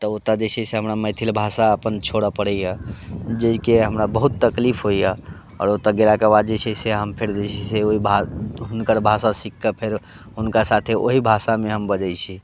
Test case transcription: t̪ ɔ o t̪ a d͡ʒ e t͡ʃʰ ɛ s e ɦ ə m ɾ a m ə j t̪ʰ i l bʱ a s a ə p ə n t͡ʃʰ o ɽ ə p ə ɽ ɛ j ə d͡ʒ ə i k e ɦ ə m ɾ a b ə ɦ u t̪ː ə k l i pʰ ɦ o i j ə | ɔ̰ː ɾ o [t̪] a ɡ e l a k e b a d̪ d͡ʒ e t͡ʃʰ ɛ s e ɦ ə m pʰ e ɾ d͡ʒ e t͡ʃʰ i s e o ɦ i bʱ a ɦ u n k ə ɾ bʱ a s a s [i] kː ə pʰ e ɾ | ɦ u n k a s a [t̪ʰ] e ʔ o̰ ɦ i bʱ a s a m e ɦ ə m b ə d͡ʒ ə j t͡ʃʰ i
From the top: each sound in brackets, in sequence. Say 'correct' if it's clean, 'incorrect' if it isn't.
correct, correct, correct

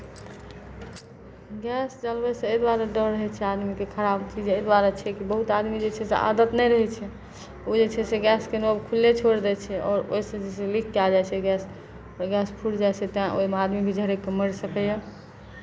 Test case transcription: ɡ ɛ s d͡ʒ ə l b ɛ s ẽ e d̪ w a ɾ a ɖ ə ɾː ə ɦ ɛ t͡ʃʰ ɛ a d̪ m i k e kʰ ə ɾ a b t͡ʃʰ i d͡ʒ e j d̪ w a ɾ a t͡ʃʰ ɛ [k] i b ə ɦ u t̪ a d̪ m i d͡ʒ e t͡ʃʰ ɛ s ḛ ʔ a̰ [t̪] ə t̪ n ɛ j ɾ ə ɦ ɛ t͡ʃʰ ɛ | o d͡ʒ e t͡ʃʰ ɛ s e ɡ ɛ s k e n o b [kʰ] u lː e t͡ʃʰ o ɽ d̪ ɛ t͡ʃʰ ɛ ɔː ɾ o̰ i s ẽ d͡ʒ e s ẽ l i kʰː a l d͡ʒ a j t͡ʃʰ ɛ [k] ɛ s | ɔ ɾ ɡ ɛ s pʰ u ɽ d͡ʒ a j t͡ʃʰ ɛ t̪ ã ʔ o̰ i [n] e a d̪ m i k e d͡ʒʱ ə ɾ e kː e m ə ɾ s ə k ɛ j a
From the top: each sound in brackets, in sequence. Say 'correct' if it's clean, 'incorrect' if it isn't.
correct, incorrect: d̪, correct, incorrect: ɡ, incorrect: m

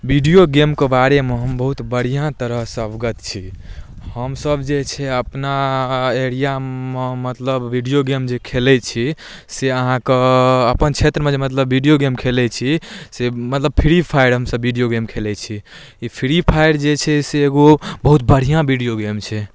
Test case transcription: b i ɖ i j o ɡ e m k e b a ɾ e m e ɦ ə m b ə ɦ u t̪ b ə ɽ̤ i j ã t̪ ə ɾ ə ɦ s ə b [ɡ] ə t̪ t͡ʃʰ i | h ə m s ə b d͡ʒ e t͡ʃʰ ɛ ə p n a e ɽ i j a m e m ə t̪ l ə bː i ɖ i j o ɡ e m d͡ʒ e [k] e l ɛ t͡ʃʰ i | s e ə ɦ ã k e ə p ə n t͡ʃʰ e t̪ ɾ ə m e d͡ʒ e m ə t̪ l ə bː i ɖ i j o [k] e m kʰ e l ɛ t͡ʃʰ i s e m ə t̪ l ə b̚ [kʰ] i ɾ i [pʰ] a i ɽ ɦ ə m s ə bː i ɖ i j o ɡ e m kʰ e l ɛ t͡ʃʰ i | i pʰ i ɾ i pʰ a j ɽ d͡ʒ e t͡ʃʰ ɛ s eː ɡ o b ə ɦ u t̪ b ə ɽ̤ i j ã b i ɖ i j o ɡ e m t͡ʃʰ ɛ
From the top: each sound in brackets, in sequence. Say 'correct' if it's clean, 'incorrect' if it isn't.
correct, incorrect: kʰ, incorrect: ɡ, incorrect: pʰ, correct

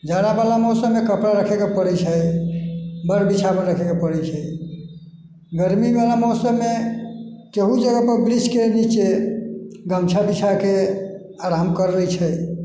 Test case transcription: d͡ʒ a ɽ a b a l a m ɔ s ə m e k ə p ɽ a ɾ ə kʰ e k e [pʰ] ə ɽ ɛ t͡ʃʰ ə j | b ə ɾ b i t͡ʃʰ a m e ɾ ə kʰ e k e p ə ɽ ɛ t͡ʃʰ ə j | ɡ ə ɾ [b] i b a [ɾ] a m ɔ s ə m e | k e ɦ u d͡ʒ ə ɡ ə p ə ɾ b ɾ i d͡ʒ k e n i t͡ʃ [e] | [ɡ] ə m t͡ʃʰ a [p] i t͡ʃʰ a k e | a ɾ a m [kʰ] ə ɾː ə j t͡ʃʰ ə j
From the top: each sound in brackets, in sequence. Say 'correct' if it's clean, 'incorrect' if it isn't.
incorrect: p, incorrect: m, incorrect: l, correct, correct, incorrect: b, incorrect: k

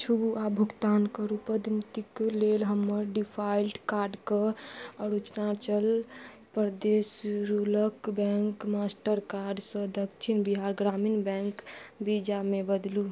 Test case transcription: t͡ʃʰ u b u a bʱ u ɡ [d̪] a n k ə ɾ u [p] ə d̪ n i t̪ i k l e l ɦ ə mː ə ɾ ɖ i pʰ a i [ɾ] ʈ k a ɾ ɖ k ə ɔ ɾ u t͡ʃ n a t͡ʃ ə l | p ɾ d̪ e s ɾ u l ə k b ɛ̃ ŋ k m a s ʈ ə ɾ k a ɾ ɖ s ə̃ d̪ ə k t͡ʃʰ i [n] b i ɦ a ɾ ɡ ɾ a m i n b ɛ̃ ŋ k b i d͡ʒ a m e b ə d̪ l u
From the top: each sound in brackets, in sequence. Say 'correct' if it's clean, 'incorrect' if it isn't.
incorrect: t̪, correct, incorrect: l, correct

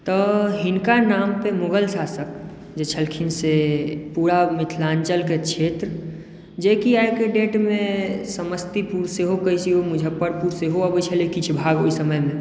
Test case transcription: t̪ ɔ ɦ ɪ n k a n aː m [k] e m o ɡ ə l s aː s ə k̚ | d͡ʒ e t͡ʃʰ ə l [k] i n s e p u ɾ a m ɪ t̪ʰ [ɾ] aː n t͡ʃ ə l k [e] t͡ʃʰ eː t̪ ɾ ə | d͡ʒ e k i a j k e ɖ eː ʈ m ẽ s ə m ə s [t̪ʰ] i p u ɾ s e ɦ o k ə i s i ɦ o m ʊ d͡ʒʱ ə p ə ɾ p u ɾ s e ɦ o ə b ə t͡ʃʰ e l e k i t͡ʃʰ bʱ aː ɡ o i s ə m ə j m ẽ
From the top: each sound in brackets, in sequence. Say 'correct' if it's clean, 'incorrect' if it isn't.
incorrect: p, incorrect: kʰ, incorrect: l, correct, incorrect: t̪

